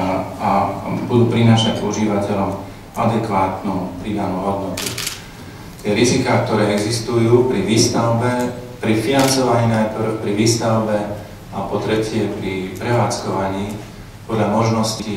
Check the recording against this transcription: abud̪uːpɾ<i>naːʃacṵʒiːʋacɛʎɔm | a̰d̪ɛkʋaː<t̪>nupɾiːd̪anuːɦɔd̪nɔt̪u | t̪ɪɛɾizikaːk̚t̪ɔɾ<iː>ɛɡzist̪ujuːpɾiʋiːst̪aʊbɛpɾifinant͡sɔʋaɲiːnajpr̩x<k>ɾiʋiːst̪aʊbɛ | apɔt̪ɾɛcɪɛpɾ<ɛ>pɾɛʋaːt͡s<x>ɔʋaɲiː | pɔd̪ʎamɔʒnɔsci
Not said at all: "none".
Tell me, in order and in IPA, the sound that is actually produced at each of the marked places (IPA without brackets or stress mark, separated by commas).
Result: i, t̪, ɛː, p, i, k